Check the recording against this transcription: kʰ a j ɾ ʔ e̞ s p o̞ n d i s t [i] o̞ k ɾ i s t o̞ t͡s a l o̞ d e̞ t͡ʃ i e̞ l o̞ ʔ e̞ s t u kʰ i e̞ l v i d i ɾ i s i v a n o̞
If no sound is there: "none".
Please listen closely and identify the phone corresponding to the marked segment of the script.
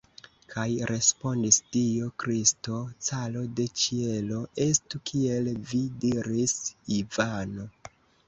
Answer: i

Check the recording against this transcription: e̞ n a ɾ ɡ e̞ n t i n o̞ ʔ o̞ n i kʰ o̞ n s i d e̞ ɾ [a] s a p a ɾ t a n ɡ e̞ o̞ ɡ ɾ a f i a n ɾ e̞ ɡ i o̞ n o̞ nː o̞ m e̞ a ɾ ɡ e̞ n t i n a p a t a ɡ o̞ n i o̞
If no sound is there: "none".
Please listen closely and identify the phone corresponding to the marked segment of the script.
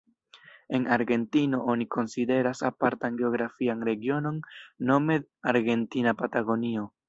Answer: a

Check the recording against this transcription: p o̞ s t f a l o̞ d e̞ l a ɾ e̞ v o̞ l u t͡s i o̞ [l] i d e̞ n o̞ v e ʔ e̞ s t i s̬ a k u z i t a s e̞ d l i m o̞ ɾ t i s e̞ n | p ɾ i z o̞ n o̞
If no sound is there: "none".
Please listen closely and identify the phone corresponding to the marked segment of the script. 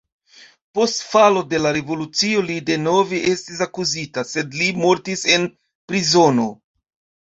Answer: l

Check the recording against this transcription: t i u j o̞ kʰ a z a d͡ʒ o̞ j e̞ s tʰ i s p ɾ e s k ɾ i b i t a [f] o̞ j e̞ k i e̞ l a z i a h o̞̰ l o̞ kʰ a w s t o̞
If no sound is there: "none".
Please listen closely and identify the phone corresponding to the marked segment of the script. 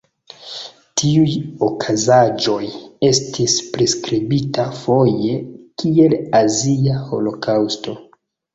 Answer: f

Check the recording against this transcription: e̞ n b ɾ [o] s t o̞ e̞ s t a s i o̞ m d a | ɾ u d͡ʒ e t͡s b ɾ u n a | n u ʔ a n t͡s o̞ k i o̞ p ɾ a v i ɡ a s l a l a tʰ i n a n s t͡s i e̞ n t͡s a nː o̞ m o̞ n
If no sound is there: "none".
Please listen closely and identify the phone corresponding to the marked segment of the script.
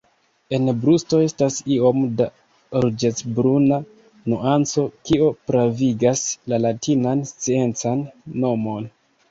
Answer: u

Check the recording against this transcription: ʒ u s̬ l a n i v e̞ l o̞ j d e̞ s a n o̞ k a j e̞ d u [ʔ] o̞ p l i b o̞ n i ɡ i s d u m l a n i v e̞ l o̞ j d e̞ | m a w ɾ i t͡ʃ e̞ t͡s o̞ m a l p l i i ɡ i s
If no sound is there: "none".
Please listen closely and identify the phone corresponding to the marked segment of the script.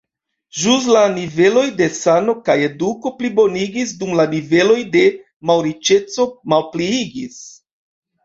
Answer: k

